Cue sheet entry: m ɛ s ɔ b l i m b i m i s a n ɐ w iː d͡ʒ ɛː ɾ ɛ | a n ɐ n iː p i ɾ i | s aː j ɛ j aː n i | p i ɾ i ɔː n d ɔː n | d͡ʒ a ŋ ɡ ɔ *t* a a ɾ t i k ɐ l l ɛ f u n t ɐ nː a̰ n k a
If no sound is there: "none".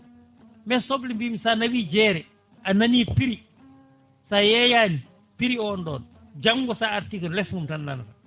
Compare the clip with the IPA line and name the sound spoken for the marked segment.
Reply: s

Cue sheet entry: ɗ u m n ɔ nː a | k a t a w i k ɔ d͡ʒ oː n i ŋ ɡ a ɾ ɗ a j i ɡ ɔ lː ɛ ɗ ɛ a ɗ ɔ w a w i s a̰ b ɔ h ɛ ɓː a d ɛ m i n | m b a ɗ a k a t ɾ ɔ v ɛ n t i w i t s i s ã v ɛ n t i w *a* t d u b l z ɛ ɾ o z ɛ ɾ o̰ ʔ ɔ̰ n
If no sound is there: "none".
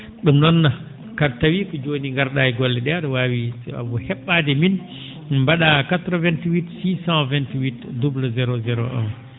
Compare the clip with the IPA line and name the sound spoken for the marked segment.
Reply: i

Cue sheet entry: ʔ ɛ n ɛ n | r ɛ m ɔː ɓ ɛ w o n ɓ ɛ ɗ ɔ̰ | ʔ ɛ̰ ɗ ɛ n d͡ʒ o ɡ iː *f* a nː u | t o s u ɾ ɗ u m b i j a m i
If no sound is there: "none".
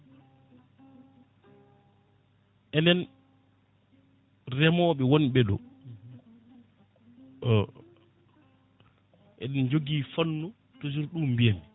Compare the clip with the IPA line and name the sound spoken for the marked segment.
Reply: f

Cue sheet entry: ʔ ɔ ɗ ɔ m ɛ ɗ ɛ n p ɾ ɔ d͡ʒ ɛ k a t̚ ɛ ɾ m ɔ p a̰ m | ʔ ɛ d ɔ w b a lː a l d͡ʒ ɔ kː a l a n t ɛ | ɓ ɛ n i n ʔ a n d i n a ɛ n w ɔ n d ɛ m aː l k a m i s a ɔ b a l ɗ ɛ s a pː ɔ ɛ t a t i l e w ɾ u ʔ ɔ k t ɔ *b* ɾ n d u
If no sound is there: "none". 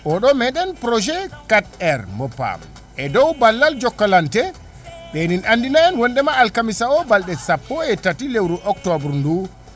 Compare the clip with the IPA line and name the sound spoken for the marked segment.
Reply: b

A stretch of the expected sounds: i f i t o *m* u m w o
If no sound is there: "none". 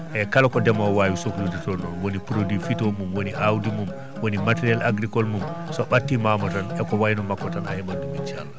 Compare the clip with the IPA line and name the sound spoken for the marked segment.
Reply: m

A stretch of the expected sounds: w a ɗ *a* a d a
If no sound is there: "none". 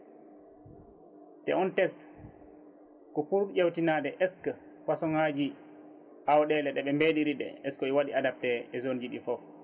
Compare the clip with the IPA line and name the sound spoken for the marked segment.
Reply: i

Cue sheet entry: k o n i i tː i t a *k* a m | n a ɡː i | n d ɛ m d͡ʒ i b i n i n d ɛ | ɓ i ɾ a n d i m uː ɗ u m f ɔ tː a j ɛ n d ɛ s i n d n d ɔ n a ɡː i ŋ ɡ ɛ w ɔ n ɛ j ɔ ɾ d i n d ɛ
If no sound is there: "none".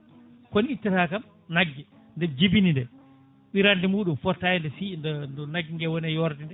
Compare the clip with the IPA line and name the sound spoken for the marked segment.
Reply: k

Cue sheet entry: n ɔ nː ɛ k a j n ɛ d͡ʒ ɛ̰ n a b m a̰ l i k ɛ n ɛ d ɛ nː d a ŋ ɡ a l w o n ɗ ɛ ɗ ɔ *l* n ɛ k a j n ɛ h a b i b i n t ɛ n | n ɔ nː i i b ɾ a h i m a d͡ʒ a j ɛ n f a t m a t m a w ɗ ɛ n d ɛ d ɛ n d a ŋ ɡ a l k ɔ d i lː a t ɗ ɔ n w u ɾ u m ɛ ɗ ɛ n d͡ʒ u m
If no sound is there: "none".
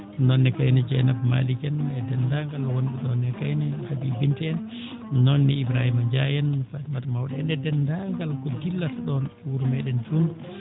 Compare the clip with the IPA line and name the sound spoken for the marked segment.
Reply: none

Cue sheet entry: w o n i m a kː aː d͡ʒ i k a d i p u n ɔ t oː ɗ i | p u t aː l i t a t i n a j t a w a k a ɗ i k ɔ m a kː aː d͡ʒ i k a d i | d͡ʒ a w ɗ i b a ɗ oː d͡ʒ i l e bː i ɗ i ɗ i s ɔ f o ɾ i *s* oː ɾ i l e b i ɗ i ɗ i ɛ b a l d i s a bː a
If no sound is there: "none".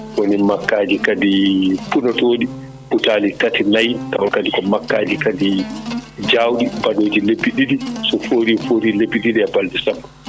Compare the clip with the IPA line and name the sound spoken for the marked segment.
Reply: f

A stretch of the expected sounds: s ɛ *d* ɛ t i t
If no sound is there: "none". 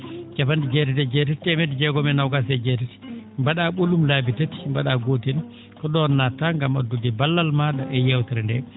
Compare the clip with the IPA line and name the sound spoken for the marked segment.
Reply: d͡ʒ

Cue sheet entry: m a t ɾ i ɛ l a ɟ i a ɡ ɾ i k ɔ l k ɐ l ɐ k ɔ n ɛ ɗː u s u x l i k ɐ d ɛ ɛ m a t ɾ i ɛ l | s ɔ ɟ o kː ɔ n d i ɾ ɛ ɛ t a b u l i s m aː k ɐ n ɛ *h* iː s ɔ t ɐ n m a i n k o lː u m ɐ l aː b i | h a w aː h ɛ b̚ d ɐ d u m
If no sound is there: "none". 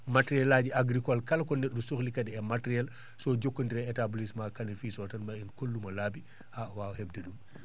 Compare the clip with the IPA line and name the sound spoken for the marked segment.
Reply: f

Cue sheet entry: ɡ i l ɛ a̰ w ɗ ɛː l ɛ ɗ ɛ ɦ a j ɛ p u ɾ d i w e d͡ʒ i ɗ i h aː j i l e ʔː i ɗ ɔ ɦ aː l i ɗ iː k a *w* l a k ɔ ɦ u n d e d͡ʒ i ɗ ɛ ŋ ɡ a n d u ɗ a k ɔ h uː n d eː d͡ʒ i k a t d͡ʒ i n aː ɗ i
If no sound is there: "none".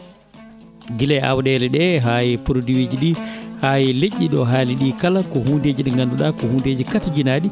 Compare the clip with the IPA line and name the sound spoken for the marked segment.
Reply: none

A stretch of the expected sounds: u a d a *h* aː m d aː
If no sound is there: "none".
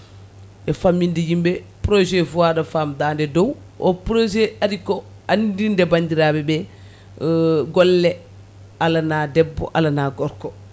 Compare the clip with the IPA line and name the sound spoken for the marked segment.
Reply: f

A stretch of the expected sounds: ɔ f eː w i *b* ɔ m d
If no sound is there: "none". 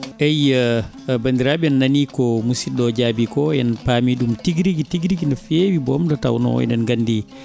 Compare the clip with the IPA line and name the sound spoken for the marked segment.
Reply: b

